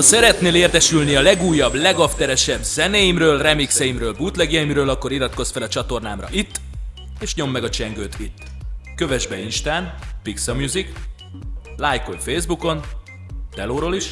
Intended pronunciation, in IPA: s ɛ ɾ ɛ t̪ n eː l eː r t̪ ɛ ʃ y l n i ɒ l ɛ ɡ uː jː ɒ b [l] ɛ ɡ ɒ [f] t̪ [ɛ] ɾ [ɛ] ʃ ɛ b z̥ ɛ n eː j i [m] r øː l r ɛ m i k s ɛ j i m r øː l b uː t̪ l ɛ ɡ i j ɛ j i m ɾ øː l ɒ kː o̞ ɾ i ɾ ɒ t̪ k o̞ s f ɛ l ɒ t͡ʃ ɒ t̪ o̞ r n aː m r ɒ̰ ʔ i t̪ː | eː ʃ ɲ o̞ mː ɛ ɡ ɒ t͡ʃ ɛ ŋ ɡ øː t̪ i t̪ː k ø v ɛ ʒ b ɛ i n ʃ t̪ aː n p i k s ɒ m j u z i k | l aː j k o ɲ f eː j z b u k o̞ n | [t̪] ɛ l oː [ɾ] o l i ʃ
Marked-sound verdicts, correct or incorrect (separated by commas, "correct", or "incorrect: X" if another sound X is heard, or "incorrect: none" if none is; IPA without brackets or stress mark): correct, correct, correct, correct, correct, correct, correct